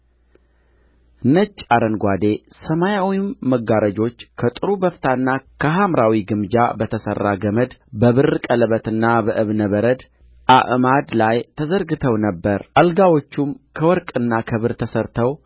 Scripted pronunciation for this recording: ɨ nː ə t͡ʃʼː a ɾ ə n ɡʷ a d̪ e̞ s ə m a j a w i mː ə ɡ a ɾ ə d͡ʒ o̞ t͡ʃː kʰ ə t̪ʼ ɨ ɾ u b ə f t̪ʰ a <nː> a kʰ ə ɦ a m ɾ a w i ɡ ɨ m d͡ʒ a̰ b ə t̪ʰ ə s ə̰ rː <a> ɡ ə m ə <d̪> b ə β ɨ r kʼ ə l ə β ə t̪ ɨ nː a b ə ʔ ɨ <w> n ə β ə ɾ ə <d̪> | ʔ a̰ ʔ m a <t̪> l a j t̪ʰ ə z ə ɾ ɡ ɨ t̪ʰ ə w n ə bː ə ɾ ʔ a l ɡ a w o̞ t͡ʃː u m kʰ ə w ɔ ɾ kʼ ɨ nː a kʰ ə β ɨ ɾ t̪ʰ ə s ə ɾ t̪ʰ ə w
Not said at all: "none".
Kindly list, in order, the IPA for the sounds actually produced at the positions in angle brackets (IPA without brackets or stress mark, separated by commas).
nː, a, d̪, β, d̪, d̪